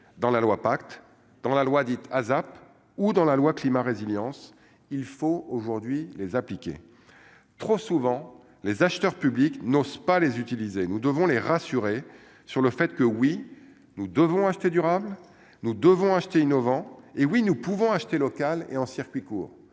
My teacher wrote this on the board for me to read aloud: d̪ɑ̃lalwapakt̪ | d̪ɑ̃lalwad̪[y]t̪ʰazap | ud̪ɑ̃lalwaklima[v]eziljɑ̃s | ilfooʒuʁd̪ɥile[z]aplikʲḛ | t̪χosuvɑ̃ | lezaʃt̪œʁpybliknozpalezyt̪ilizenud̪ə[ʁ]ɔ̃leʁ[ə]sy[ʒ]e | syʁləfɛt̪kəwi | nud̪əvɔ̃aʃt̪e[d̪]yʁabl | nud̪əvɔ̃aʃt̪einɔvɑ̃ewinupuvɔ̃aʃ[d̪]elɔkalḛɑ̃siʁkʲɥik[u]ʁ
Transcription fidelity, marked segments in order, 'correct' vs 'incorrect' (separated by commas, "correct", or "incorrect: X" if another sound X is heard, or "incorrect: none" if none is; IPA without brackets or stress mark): incorrect: i, incorrect: ʁ, correct, incorrect: v, incorrect: a, incorrect: ʁ, correct, incorrect: t̪, incorrect: uː